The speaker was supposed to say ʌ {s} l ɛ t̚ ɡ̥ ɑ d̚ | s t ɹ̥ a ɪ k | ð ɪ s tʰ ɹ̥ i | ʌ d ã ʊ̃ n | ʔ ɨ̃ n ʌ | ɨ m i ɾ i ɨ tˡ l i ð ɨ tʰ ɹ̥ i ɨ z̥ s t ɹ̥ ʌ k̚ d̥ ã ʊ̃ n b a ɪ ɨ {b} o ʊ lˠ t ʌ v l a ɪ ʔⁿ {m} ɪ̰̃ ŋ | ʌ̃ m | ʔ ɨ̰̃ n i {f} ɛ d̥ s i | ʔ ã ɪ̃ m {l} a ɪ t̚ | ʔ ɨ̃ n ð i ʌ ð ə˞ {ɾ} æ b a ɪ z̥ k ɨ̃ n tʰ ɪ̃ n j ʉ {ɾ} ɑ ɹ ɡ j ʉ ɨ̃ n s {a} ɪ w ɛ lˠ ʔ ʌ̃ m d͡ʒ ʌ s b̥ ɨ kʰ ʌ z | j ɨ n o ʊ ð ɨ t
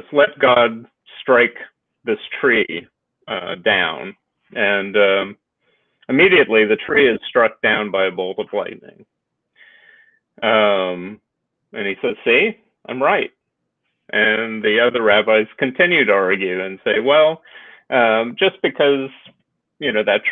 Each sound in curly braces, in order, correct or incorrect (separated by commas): correct, correct, incorrect, incorrect, incorrect, incorrect, correct, incorrect